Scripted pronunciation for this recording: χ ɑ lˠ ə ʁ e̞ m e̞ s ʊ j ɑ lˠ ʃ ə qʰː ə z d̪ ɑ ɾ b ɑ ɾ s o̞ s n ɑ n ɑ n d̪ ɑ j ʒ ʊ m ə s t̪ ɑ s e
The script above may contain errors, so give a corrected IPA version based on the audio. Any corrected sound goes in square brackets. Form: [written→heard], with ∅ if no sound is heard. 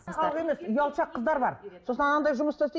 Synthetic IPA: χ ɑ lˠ ə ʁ e̞ m e̞ s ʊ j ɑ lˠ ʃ [ə→ɑ] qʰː ə z d̪ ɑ ɾ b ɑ ɾ s o̞ s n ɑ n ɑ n d̪ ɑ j ʒ ʊ m ə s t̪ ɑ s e